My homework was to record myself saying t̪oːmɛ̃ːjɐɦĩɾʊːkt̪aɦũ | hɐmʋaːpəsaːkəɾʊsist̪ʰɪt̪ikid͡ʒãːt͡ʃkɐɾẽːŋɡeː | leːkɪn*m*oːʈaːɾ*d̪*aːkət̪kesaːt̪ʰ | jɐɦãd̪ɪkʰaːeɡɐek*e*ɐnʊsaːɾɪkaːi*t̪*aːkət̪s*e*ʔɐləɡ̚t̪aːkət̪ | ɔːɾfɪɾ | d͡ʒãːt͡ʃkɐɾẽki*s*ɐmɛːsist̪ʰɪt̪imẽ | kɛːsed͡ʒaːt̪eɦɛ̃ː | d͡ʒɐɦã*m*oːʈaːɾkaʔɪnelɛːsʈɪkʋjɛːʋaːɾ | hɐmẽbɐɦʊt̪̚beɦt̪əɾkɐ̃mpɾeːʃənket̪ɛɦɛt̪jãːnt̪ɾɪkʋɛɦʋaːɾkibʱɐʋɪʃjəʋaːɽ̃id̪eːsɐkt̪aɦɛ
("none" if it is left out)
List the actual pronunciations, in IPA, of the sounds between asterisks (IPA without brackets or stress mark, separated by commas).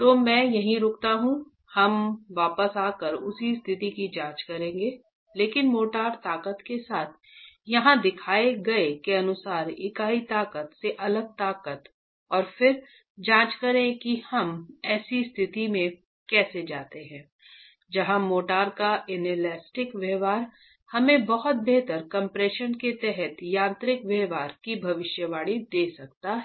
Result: m, t̪, e, t̪, e, h, m